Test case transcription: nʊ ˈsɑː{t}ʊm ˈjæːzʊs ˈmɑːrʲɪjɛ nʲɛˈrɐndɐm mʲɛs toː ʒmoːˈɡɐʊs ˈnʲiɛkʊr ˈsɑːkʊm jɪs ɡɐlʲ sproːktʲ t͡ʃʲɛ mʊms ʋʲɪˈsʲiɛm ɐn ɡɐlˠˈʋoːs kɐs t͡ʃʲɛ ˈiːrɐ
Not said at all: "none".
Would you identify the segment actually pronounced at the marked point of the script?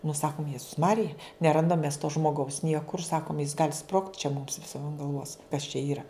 k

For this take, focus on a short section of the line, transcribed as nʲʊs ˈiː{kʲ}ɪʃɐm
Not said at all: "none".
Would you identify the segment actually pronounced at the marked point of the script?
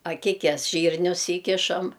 kʲ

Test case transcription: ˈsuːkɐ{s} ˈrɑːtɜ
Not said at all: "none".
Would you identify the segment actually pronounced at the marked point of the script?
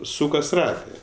s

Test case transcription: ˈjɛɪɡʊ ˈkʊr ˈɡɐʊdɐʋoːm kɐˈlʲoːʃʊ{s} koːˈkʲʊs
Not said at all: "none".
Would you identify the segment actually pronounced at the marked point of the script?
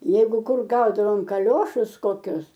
s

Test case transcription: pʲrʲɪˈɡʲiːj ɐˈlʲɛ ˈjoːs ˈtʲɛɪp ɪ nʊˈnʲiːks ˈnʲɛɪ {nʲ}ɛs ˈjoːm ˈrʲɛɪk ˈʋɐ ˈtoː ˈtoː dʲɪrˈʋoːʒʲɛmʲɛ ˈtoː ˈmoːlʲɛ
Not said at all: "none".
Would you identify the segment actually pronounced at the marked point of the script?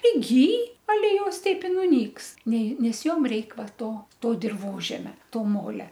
nʲ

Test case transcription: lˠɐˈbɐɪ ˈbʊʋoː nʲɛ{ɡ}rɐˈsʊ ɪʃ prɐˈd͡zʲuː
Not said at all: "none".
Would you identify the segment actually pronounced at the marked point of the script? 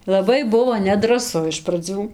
d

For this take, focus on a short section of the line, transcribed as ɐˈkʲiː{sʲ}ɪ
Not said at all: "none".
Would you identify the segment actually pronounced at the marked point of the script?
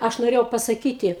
tʲ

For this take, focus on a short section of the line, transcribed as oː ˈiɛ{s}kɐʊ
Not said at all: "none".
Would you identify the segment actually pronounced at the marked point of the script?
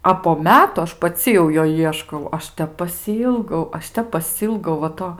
ʃ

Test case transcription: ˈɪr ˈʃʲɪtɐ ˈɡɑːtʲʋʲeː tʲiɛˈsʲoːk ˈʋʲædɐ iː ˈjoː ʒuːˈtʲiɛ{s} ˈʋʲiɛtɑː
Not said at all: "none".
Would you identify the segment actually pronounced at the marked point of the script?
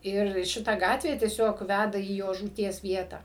s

